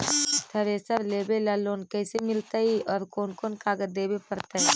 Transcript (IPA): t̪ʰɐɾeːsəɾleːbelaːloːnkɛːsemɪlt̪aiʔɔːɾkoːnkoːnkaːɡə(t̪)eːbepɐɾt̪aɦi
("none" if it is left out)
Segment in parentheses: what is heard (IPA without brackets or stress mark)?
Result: d̪